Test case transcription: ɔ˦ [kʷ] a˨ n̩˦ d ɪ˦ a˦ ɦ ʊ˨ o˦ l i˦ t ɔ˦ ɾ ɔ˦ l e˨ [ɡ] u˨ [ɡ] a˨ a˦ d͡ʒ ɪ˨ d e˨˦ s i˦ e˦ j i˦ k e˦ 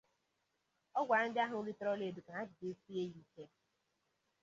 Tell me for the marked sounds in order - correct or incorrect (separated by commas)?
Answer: incorrect, incorrect, incorrect